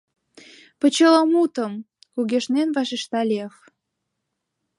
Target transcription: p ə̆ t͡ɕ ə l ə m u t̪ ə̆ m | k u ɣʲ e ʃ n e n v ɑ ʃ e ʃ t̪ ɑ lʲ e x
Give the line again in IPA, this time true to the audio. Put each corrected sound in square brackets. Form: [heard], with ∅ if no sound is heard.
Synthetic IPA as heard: p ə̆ t͡ɕ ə l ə m u t̪ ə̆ m | k u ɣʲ e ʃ n e n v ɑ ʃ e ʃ t̪ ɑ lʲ e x

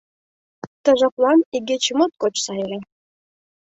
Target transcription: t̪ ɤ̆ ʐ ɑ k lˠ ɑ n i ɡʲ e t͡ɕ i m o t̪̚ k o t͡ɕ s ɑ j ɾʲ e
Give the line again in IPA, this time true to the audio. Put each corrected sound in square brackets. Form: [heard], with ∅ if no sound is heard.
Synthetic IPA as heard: t̪ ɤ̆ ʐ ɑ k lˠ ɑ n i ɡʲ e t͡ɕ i m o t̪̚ k o t͡ɕ s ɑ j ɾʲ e

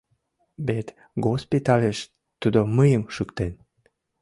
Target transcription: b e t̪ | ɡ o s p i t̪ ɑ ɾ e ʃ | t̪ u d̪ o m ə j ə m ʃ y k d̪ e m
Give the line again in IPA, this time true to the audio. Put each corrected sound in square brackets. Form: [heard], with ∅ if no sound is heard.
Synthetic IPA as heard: b e t̪ | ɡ o s p i t̪ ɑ [l] e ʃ | t̪ u d̪ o m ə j ə m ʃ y k [t̪] e [n]

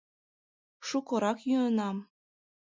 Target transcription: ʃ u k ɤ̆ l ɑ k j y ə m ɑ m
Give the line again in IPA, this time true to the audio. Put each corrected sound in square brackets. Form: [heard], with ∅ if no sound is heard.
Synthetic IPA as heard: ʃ u k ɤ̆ [ɾ] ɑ k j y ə [n] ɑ m

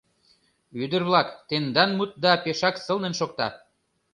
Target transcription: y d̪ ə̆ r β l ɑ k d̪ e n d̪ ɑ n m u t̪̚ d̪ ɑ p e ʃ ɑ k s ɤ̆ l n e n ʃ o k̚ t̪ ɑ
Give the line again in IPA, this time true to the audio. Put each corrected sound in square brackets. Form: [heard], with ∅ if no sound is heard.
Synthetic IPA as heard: y d̪ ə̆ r β l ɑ k [t̪] e n d̪ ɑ n m u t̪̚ d̪ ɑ p e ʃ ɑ k s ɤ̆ l n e n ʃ o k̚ t̪ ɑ

